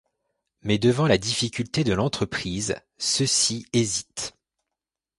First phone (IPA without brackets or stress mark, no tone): m